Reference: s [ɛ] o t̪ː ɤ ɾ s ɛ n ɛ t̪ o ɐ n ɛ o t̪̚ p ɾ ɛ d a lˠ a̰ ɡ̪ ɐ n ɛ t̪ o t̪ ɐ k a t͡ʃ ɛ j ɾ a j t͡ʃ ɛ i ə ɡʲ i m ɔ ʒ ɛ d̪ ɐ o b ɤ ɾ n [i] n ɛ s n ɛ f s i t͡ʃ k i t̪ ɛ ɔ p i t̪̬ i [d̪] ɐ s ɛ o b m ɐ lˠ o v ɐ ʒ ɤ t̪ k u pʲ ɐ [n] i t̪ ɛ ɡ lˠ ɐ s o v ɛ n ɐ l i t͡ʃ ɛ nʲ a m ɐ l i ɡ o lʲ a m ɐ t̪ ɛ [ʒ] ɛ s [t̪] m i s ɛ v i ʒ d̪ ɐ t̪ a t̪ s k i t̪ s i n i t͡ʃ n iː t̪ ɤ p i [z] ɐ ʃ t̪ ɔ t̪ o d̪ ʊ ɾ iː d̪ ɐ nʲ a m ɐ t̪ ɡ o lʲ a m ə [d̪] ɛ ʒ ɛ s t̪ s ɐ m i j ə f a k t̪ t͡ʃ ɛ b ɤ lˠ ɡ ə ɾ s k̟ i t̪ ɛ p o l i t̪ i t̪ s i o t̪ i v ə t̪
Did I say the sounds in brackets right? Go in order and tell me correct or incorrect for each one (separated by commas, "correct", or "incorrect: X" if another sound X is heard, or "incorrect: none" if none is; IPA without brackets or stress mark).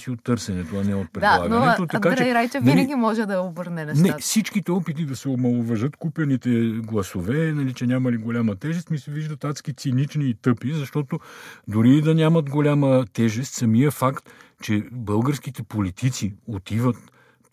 incorrect: i, incorrect: ɛ, correct, correct, correct, correct, correct, incorrect: t̪